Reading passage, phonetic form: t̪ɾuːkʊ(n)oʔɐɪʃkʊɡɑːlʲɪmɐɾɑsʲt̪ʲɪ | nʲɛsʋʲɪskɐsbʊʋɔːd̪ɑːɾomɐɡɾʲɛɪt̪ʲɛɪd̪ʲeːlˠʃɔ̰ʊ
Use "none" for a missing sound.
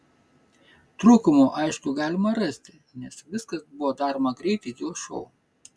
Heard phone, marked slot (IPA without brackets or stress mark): m